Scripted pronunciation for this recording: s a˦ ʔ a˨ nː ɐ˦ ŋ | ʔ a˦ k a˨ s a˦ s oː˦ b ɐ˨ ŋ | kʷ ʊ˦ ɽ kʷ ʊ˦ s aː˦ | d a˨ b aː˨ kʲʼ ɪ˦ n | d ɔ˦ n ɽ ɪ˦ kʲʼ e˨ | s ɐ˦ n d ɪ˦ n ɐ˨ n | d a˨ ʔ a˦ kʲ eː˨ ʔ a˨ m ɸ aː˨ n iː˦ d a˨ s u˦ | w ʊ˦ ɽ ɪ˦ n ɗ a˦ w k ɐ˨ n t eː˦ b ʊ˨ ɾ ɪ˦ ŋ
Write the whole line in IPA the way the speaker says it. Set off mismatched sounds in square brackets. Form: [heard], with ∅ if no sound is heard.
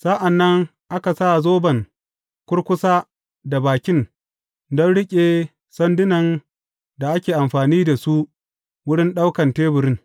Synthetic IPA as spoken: s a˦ ʔ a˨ nː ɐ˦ ŋ | ʔ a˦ k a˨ s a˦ [z] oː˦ b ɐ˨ ŋ | kʷ ʊ˦ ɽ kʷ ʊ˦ s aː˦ | d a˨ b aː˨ [kʲ] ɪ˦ n | d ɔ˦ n ɽ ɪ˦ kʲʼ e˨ | s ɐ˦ n d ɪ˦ n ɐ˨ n | d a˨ ʔ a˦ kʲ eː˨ ʔ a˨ m ɸ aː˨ n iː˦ d a˨ s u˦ | w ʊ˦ ɽ ɪ˦ n ɗ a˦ w k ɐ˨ n t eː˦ b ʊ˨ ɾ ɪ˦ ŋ